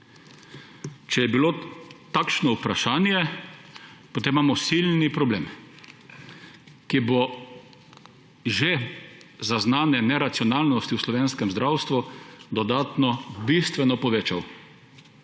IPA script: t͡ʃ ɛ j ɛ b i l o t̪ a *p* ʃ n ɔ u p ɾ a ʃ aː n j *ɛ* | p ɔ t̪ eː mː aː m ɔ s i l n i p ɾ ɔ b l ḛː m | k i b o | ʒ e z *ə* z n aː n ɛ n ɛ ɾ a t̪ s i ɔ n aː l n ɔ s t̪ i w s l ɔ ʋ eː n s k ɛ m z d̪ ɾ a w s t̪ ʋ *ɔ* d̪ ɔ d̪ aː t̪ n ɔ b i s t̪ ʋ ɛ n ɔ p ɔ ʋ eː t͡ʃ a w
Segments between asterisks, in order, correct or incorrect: incorrect, correct, incorrect, incorrect

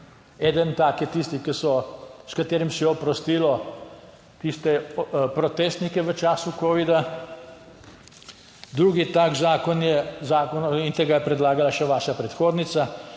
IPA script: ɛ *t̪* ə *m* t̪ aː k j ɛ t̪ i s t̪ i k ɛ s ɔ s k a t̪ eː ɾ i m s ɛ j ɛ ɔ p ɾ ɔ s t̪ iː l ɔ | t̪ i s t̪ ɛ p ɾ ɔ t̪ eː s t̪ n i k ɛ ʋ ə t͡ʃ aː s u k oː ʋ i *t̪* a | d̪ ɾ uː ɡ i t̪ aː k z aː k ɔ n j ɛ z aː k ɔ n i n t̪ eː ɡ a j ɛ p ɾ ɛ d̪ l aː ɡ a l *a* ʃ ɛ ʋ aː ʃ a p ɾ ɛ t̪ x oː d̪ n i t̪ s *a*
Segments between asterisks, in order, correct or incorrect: incorrect, incorrect, incorrect, correct, correct

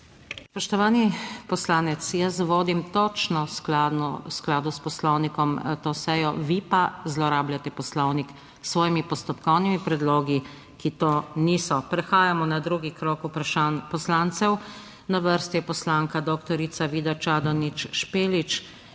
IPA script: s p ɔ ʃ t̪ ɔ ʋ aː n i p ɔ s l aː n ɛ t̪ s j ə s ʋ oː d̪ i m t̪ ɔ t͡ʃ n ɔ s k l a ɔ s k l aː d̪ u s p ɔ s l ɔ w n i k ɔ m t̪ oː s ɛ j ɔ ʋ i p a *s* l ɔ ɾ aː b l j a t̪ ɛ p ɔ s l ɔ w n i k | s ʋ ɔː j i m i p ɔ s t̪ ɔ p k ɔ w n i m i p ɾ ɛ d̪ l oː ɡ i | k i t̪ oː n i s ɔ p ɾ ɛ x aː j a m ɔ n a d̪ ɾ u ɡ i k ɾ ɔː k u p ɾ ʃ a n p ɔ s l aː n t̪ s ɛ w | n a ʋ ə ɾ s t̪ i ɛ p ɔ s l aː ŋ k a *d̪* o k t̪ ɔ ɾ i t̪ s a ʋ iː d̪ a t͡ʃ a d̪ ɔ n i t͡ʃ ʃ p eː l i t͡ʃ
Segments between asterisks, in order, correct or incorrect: incorrect, correct

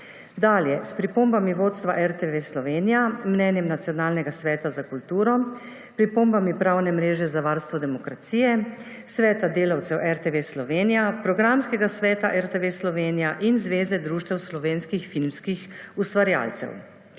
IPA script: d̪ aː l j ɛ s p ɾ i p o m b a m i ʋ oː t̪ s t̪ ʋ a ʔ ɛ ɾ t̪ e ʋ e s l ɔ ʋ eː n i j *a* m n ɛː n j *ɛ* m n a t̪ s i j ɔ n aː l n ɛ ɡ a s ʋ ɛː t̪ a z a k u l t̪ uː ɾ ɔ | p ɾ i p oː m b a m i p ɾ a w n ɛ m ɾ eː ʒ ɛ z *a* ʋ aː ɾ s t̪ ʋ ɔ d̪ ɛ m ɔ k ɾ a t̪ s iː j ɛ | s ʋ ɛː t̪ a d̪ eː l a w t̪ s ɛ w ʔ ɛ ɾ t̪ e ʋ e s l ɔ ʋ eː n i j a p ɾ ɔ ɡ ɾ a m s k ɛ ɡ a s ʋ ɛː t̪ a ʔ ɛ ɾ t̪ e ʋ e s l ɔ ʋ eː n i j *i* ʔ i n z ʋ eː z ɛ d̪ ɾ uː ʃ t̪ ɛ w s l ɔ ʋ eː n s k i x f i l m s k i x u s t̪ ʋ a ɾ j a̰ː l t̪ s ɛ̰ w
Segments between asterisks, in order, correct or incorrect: correct, correct, correct, incorrect

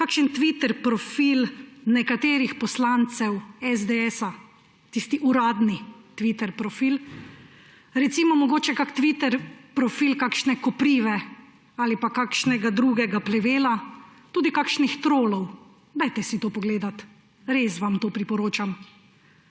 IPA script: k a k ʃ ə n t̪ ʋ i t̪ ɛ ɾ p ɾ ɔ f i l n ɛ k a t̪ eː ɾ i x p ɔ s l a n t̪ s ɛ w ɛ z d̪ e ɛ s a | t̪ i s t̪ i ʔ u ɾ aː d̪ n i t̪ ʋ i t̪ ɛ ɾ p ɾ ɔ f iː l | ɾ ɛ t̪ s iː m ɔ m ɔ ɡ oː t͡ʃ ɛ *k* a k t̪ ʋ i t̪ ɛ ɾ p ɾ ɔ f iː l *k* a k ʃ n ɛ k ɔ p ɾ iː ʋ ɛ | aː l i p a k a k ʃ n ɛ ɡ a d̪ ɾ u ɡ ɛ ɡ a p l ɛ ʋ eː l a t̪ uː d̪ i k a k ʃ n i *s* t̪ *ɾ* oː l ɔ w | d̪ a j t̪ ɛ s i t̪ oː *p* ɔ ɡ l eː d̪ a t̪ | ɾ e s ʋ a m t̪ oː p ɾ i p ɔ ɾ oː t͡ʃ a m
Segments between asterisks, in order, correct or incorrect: correct, correct, incorrect, correct, correct

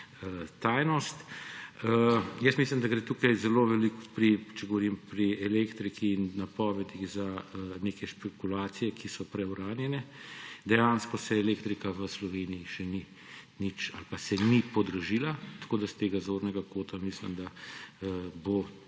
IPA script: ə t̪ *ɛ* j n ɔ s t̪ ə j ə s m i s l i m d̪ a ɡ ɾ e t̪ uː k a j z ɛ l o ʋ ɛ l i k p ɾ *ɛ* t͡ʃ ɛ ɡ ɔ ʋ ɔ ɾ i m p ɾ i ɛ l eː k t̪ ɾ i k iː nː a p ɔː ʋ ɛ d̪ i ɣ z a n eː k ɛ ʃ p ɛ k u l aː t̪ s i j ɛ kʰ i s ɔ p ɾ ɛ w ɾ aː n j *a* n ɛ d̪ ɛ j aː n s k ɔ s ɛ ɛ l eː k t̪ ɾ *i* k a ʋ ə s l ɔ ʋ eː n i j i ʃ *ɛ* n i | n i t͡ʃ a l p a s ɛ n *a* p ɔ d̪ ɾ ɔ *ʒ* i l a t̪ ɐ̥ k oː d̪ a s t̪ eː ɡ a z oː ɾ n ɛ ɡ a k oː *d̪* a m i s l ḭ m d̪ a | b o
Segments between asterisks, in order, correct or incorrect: incorrect, incorrect, incorrect, correct, correct, incorrect, correct, incorrect

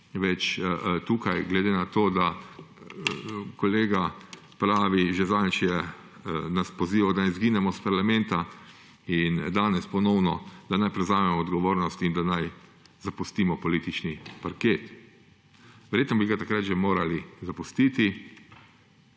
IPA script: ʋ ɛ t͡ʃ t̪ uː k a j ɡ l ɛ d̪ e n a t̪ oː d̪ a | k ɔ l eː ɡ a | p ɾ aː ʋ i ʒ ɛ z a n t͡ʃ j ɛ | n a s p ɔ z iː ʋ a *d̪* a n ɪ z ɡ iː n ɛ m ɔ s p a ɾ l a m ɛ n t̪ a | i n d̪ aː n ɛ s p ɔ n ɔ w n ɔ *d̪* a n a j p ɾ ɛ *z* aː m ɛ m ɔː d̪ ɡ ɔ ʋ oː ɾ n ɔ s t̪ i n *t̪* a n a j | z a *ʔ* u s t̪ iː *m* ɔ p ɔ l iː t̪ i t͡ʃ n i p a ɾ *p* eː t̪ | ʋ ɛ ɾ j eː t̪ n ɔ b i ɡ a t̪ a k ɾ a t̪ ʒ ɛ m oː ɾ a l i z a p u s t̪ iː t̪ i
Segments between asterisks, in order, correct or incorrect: correct, correct, correct, incorrect, incorrect, correct, incorrect

